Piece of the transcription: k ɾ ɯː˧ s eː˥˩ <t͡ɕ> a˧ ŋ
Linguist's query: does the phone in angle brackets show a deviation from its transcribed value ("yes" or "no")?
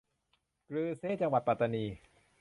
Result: no